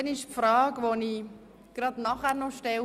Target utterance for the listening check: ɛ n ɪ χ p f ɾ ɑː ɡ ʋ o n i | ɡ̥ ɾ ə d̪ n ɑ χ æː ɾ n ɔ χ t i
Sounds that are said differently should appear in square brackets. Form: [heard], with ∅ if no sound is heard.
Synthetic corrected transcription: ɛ n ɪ [ʃ] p f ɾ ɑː ɡ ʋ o n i | ɡ̥ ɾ [ɑ] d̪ n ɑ χ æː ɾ n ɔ [ʃ] t [ɛ]